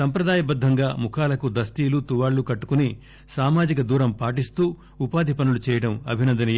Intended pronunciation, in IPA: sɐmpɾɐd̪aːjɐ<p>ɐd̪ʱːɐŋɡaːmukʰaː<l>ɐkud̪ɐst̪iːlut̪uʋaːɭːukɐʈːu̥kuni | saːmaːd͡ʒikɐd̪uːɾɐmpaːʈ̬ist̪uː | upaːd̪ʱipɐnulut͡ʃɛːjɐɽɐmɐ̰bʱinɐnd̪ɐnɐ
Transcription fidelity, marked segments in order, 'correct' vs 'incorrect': incorrect, correct

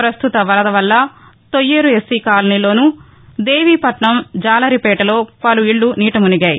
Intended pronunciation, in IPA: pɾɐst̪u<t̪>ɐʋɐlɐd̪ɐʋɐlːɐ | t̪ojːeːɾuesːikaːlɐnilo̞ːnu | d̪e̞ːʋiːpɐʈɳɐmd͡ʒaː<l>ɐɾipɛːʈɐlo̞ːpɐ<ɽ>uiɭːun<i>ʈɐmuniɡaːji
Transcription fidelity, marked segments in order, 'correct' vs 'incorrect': correct, correct, incorrect, incorrect

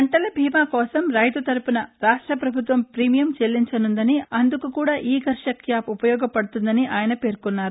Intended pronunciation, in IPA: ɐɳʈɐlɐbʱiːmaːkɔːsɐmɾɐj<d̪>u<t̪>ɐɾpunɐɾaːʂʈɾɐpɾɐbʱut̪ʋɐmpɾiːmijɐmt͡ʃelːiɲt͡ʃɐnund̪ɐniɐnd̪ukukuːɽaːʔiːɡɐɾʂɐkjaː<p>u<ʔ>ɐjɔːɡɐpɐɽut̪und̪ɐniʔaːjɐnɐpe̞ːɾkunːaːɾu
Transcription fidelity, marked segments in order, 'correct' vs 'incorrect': incorrect, correct, correct, incorrect

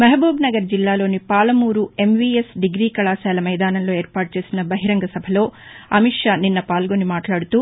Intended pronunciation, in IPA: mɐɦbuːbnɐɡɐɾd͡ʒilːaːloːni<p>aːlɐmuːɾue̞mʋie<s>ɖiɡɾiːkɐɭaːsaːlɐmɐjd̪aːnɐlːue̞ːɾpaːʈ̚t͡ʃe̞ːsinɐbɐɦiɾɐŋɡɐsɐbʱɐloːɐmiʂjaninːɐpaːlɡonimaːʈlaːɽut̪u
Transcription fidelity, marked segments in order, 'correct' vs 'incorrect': correct, correct

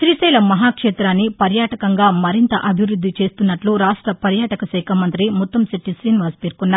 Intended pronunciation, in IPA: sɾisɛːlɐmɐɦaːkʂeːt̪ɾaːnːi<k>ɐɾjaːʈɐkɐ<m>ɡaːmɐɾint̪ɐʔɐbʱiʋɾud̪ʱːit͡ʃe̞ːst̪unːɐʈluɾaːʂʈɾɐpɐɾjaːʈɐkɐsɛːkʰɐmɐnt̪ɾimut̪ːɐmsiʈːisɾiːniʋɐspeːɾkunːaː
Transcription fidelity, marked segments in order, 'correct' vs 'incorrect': incorrect, incorrect

